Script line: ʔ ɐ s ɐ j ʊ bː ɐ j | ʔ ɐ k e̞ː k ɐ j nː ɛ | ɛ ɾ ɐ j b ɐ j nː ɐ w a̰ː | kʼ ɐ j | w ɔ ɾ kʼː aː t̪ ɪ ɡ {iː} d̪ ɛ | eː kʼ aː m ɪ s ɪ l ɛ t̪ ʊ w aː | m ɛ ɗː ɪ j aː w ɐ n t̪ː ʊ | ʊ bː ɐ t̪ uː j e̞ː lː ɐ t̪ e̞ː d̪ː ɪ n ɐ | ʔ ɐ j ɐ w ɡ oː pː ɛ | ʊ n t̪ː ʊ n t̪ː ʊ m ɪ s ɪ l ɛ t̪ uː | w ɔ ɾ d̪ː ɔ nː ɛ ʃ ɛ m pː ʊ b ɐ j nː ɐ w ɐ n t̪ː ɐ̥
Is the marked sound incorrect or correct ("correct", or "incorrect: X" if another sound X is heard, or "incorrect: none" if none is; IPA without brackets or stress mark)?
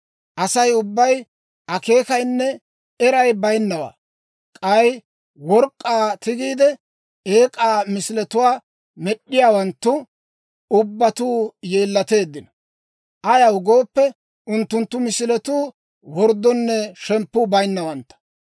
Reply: correct